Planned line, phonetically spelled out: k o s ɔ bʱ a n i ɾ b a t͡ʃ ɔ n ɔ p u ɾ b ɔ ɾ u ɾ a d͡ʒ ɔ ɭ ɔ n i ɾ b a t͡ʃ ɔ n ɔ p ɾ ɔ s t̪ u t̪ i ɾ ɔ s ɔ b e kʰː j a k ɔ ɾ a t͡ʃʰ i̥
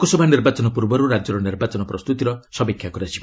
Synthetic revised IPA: k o s ɔ bʱ a n i ɾ b a t͡ʃ ɔ n ɔ p u ɾ b ɔ ɾ u ɾ a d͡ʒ ɔ ɾ ɔ n i ɾ b a t͡ʃ ɔ n ɔ p ɾ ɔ s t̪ u t̪ i ɾ ɔ s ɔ b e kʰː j a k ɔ ɾ a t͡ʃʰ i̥